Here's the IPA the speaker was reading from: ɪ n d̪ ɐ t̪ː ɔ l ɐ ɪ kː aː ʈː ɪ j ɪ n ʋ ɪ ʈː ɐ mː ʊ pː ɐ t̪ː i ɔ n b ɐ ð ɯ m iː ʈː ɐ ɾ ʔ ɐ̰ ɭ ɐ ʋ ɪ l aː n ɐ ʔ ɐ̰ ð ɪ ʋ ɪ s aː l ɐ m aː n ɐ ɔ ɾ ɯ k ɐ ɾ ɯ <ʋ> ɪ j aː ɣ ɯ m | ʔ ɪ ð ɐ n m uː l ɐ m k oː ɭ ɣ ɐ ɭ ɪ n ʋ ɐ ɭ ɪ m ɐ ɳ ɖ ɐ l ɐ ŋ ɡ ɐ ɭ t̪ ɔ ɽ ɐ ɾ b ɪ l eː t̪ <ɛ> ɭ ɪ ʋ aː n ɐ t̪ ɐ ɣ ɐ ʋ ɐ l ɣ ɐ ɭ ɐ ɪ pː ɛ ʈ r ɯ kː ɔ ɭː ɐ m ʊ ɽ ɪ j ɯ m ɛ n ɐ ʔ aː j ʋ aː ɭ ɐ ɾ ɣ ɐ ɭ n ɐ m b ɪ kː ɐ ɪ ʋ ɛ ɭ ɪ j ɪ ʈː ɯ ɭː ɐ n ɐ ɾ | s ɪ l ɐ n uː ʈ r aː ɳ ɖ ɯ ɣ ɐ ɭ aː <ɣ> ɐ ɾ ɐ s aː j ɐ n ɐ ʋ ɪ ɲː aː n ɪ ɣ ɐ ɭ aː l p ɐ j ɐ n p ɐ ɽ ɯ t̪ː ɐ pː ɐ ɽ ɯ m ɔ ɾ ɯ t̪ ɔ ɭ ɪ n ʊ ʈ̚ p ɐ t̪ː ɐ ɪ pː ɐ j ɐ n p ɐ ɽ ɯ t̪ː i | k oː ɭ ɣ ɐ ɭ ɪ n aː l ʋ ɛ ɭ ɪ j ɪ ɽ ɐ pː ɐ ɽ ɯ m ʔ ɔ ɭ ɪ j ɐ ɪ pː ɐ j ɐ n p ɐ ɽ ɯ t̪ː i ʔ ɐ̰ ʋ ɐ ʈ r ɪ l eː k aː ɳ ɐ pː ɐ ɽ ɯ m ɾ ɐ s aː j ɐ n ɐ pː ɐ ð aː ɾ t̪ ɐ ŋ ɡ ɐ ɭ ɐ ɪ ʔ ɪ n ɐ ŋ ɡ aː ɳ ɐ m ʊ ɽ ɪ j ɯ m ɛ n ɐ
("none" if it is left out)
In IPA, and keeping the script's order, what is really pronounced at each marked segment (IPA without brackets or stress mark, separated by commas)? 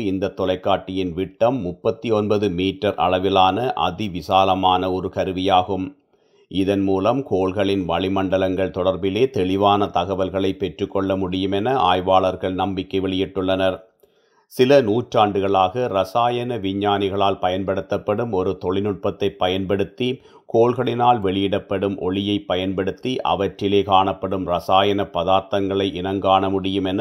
ʋ, ɛ, ɣ